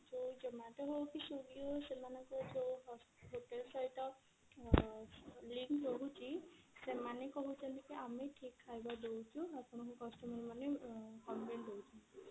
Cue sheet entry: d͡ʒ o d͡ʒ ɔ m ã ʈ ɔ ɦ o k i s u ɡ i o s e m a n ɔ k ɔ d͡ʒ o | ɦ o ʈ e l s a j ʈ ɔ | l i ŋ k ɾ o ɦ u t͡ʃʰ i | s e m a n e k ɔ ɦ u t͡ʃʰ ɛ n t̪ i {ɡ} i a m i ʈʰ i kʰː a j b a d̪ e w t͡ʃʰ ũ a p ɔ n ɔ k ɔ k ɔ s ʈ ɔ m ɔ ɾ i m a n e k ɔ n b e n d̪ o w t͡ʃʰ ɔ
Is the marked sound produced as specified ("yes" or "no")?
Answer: no